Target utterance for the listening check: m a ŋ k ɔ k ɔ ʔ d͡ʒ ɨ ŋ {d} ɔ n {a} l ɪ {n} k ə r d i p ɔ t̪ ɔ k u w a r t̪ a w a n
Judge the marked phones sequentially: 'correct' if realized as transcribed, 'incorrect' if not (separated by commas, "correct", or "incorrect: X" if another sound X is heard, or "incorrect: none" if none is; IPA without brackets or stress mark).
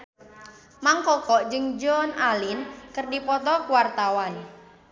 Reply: incorrect: d͡ʒ, correct, correct